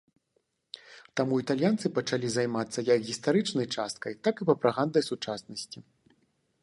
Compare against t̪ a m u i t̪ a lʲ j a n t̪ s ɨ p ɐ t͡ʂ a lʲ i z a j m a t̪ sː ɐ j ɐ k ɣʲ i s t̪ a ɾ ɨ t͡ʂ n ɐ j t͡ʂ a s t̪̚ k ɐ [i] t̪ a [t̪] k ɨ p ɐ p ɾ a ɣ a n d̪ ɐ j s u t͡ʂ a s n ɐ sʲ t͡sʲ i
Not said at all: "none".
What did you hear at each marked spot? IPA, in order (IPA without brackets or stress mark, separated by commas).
j, none